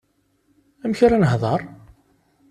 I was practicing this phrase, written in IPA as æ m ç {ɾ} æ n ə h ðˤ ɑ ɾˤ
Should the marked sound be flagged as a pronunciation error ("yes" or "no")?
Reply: no